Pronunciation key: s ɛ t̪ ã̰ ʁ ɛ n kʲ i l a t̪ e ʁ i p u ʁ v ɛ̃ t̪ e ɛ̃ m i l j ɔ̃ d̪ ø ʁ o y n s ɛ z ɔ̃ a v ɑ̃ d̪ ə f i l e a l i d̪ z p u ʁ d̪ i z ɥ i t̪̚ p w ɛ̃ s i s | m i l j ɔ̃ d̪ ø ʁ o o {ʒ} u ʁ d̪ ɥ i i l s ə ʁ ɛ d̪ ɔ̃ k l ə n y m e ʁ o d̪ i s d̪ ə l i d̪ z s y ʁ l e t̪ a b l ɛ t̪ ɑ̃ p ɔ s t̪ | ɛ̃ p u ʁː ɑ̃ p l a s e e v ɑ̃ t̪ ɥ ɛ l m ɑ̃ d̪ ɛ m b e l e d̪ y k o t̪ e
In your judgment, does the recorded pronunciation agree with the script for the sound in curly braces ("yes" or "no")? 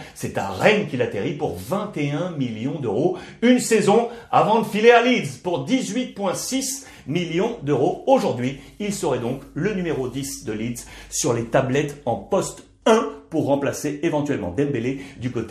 yes